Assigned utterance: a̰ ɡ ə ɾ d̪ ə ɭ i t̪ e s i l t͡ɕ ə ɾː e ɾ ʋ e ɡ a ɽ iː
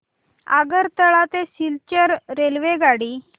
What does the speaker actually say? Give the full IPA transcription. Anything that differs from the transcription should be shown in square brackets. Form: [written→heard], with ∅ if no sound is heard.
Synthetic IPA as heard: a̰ ɡ ə ɾ [d̪→t̪] ə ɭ [i→a] t̪ e s i l t͡ɕ ə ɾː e [ɾ→l] ʋ e ɡ a ɽ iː